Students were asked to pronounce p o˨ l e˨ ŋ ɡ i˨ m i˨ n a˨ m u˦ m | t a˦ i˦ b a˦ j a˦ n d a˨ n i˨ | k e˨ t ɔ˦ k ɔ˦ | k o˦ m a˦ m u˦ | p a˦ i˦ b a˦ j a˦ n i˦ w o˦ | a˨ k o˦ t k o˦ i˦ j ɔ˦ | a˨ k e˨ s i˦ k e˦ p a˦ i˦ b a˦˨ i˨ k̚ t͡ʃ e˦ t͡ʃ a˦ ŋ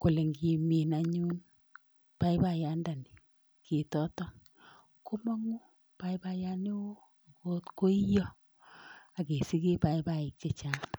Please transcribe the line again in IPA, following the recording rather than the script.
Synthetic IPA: k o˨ l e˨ ŋ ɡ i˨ m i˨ n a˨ ɲ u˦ n | p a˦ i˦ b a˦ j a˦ n d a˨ n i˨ | k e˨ t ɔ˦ t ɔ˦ | k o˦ m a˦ ŋ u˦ | p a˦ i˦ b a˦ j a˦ n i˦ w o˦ | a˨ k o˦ t k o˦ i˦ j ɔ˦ | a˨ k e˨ s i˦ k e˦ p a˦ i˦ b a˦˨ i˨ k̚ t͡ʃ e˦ t͡ʃ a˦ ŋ